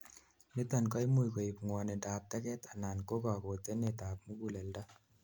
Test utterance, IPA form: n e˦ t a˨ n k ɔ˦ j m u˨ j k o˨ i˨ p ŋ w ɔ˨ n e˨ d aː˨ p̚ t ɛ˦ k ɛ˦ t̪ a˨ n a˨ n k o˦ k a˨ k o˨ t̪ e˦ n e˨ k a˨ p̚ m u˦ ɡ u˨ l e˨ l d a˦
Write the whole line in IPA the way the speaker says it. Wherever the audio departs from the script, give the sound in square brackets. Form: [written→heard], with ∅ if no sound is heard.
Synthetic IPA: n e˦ t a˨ n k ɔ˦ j m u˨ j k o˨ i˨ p ŋ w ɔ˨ n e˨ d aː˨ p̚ t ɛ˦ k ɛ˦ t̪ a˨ n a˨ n k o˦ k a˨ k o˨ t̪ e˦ n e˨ [k→t] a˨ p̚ m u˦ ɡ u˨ l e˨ l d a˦